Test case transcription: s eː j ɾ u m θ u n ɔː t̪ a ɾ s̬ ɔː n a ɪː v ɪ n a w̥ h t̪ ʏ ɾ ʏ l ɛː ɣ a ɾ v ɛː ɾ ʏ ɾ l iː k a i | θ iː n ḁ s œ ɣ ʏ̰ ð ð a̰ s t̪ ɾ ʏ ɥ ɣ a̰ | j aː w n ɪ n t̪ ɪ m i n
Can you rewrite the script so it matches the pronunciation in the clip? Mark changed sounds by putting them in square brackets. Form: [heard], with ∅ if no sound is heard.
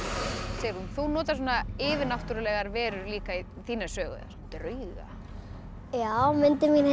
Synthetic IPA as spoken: s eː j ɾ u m θ u n ɔː t̪ a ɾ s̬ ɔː n a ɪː v ɪ n a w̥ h t̪ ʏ ɾ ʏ l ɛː ɣ a ɾ v ɛː ɾ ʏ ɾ l iː k a i | θ iː n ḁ s [œː] ɣ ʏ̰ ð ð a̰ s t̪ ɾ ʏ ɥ ɣ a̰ | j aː w [m] ɪ n t̪ ɪ m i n